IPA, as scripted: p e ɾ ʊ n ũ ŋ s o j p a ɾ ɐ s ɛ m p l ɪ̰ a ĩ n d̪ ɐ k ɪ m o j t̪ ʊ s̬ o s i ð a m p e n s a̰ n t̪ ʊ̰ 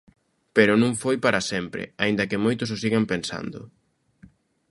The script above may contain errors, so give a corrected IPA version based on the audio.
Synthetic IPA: p e ɾ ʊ n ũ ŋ f o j p a ɾ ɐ s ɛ m p ɾ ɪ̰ a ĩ n d̪ ɐ k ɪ m o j t̪ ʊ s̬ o s i ɣ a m p e n s a̰ n d̪ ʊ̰